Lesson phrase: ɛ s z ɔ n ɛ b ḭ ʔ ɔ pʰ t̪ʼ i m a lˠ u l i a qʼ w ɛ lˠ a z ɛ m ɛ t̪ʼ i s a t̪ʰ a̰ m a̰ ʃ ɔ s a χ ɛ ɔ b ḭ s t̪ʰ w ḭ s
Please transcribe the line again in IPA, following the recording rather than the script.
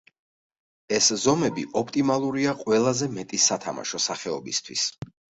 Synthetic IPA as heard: ɛ s z ɔ m ɛ b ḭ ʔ ɔ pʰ t̪ʼ i m a lˠ u ɾ i a qʼ w ɛ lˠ a z ɛ m ɛ t̪ʼ i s a t̪ʰ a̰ m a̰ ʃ ɔ s a χ ɛ ɔ b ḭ s t̪ʰ w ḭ s